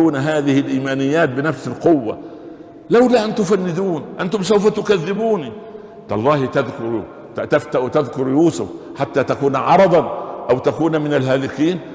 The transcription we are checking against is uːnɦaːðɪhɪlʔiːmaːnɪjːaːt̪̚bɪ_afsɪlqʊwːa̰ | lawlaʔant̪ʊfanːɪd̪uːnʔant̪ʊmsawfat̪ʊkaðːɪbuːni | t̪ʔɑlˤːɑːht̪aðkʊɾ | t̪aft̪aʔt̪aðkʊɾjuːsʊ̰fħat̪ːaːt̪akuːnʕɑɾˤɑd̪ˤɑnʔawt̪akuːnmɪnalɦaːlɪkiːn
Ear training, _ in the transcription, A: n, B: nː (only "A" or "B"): A